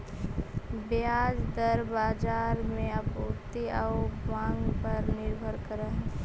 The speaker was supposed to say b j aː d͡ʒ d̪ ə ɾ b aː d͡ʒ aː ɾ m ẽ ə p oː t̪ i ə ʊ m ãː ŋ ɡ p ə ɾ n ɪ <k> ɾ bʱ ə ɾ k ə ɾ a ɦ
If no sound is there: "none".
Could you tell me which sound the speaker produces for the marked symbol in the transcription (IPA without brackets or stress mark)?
none